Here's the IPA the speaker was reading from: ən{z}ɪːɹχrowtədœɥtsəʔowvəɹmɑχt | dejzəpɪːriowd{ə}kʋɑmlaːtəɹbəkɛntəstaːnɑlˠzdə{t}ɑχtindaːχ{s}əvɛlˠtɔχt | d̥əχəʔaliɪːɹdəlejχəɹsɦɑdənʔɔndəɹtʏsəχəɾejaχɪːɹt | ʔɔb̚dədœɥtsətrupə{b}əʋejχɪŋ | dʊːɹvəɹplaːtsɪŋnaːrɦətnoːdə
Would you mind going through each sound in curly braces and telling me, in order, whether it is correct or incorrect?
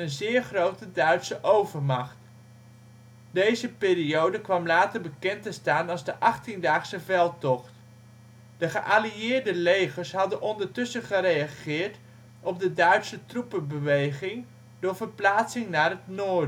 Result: correct, correct, incorrect: ʔ, correct, correct

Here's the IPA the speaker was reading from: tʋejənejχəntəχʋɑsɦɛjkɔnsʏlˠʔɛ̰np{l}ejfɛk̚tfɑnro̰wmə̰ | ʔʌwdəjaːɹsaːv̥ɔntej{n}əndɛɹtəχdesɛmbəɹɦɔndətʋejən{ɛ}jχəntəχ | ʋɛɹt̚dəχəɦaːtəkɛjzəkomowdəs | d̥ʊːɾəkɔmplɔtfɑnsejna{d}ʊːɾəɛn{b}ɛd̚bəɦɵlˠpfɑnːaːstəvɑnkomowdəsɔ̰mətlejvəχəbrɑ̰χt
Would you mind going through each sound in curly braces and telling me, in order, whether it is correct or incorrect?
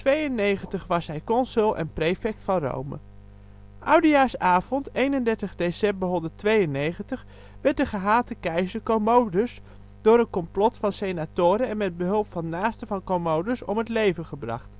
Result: incorrect: r, correct, incorrect: e, incorrect: t, incorrect: m

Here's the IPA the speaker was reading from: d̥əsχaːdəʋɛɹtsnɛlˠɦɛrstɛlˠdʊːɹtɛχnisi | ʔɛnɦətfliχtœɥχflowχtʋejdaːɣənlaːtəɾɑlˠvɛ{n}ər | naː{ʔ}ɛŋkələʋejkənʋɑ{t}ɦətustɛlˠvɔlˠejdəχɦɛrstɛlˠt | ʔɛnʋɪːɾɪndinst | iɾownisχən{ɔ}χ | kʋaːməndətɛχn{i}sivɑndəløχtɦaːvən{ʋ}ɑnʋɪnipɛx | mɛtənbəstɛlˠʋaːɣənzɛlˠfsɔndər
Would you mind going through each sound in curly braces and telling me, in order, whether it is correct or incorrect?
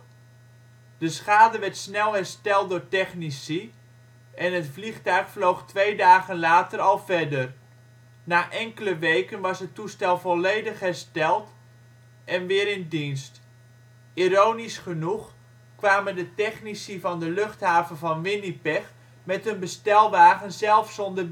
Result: incorrect: d, correct, incorrect: s, incorrect: u, correct, incorrect: v

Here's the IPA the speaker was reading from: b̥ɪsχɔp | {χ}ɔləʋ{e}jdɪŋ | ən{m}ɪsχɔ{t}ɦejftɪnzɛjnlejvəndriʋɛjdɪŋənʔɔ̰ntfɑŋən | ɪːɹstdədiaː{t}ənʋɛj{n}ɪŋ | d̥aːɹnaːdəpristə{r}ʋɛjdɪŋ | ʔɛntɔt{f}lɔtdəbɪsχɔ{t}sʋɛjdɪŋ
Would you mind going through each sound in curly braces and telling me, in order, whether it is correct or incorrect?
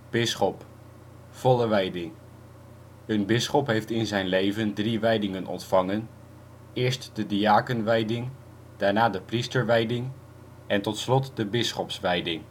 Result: incorrect: f, incorrect: ɛ, incorrect: b, incorrect: p, incorrect: k, incorrect: d, incorrect: ɹ, incorrect: s, incorrect: p

